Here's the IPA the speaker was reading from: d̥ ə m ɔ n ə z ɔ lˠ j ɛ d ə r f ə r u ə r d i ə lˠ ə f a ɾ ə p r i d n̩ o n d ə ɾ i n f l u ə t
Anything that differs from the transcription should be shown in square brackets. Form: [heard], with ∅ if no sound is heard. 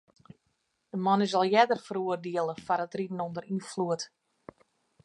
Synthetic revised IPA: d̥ ə m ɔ n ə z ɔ lˠ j ɛ d ə r f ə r u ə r d i ə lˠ ə f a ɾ ə [t] r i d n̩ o n d ə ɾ i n f l u ə t